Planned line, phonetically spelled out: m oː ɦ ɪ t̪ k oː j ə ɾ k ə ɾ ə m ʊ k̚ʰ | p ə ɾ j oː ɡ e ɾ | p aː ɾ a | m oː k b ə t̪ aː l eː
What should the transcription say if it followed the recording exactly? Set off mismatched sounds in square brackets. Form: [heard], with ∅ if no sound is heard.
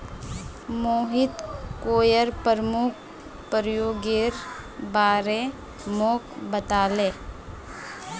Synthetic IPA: m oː ɦ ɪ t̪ k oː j ə ɾ [p] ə ɾ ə m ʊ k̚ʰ | p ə ɾ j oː ɡ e ɾ | [b] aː ɾ [e] | m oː k b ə t̪ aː l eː